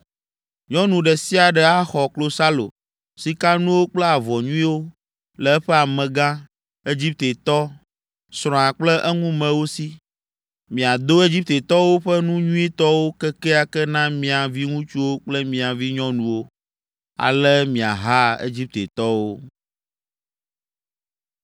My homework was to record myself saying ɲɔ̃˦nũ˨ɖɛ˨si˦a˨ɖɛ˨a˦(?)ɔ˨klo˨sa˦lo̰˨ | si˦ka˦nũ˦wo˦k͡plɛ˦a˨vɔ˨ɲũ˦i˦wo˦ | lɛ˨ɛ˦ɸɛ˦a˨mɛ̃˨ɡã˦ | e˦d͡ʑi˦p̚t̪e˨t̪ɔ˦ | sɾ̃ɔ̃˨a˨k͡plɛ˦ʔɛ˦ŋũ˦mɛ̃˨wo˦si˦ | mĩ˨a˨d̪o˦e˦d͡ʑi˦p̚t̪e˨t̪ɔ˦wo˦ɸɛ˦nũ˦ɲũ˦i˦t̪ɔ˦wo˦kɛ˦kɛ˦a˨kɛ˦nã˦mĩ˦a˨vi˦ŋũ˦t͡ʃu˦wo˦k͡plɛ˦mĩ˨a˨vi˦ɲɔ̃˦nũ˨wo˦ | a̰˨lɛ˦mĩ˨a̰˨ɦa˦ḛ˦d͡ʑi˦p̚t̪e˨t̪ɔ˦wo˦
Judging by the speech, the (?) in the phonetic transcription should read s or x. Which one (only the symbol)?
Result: x